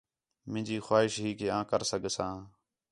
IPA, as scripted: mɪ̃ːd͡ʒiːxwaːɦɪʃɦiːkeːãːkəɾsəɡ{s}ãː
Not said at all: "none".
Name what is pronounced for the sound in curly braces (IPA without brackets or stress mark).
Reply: s